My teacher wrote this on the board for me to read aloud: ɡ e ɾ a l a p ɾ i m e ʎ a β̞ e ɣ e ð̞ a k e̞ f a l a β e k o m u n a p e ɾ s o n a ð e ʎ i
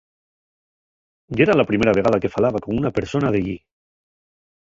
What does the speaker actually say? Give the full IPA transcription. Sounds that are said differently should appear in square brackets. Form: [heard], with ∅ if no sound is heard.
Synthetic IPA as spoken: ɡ e ɾ a l a p ɾ i m e [ɾ] a β̞ e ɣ [a] ð̞ a k e̞ f a l a β [a] k o m u n a p e ɾ s o n a ð e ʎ i